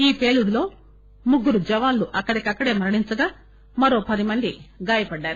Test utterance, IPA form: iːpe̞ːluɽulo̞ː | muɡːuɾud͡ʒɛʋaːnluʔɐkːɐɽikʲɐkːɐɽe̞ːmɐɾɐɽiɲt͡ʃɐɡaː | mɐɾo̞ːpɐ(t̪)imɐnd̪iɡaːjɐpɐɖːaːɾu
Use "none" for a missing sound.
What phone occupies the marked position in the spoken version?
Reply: d̪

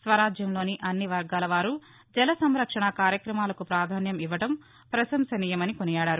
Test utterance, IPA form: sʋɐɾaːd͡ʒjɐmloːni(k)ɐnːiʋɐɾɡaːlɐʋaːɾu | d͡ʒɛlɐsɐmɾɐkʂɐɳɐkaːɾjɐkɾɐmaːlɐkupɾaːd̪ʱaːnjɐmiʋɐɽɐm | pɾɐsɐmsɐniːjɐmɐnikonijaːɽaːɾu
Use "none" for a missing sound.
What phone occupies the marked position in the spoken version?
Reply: ʔ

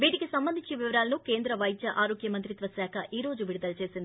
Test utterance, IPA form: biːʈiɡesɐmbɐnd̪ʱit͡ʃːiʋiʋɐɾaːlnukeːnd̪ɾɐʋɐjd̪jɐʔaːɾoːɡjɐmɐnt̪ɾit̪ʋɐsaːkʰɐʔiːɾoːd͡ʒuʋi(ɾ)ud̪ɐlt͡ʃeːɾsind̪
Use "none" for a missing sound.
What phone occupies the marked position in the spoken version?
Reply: ɽ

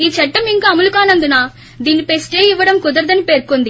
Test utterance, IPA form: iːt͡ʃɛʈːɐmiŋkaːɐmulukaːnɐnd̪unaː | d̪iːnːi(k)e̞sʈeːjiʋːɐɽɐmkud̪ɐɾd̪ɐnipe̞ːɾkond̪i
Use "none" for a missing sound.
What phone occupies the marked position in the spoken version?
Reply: p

